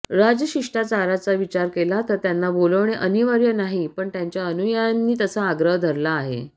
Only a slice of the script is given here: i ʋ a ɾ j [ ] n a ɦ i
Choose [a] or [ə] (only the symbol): ə